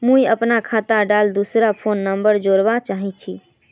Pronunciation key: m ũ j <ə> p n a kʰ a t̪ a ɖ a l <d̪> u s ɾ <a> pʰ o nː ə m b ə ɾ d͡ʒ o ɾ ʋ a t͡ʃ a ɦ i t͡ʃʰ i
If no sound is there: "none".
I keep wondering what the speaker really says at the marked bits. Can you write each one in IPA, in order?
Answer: ə, d̪, a

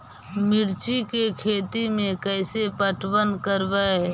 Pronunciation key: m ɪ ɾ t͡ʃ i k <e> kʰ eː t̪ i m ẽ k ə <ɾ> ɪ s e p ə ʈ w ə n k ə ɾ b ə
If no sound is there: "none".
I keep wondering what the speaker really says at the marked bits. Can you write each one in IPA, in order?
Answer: e, none

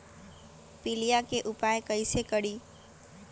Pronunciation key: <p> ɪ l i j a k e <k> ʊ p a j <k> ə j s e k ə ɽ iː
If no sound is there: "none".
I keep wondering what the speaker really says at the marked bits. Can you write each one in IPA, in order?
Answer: p, ʔ, k

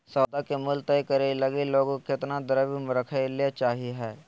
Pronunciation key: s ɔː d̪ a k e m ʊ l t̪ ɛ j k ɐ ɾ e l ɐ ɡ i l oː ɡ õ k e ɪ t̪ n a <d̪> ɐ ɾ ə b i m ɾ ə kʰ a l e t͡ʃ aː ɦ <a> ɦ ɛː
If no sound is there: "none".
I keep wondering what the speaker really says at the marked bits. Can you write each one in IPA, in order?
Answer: d̪, i

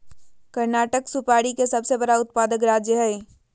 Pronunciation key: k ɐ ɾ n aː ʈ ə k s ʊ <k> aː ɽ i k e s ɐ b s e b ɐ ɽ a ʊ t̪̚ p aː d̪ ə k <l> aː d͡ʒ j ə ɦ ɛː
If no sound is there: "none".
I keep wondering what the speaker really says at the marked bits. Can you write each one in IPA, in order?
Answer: p, ɾ

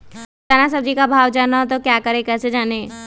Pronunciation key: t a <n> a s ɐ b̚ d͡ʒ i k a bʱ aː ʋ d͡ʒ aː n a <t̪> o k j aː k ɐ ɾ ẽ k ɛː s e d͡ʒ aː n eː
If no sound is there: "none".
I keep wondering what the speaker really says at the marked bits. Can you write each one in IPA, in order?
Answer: n, t̪

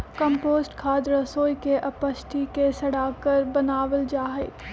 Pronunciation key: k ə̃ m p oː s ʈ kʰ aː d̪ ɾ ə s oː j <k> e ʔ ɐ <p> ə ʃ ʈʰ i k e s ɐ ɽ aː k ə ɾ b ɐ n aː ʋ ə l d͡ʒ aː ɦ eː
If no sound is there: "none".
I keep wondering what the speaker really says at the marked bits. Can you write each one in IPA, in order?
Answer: k, p

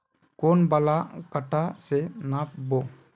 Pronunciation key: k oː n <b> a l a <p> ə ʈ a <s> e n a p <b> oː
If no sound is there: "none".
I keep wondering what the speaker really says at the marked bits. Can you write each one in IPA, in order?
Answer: b, k, s, b

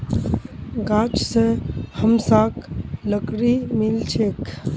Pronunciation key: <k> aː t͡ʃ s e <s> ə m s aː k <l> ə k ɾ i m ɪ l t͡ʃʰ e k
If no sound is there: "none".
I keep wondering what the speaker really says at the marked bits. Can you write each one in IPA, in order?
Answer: ɡ, h, l

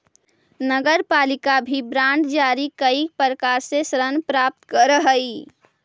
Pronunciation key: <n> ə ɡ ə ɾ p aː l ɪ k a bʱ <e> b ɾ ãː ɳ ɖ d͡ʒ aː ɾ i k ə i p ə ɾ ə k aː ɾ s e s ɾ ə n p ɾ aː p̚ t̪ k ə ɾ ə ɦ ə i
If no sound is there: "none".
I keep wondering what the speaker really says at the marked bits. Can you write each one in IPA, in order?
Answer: n, i

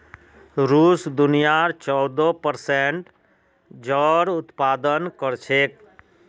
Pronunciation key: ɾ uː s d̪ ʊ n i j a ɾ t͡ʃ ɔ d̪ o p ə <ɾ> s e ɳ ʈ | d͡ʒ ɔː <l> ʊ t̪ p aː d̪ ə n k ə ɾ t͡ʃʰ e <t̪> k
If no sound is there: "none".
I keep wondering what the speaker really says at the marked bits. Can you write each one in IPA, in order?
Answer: ɾ, ɾ, none

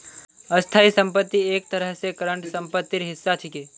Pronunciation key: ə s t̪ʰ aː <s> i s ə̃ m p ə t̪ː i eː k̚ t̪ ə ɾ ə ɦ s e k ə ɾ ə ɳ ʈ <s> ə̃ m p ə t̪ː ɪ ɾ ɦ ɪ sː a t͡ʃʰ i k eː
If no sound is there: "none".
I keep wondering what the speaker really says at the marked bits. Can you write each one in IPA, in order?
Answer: none, s

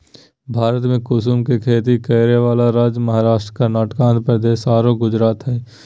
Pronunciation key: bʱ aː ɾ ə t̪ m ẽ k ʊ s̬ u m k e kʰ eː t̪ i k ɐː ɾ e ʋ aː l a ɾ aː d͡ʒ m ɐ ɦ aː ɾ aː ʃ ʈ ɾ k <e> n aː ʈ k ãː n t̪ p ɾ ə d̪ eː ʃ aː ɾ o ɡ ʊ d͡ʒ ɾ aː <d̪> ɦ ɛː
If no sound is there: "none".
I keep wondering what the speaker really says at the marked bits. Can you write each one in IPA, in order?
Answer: a, t̪

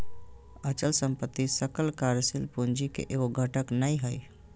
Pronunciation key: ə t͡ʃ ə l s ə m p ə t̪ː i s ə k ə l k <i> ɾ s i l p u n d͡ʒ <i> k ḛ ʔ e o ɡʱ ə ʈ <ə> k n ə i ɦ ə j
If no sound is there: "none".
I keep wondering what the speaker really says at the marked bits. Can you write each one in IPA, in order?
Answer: a, i, ə

